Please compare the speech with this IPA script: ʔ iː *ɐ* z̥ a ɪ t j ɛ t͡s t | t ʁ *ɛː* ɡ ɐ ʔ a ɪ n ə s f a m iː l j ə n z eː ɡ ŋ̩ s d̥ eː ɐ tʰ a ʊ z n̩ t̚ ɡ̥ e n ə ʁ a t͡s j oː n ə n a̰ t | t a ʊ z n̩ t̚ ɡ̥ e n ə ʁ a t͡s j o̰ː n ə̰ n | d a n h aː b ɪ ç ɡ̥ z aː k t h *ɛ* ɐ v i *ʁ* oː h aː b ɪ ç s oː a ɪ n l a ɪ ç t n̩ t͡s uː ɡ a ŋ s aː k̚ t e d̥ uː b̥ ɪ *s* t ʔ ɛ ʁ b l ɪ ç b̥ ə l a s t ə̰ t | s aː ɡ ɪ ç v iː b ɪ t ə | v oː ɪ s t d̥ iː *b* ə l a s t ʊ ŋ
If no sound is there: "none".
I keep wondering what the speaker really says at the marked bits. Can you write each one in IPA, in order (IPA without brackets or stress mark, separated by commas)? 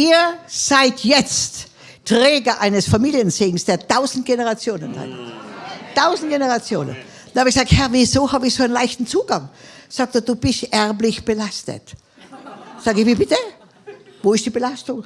ɐ, ɛː, ɛ, z, s, b